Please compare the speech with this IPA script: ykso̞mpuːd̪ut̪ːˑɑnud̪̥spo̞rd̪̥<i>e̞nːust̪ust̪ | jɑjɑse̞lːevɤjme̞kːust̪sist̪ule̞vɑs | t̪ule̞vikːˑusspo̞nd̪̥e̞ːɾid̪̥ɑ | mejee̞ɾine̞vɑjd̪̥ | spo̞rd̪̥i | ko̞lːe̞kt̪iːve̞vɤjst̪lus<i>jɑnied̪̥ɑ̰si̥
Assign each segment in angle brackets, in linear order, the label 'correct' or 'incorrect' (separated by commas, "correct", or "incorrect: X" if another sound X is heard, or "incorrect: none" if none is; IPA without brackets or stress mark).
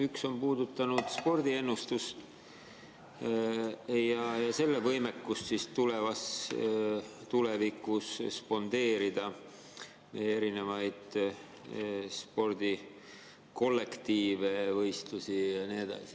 correct, correct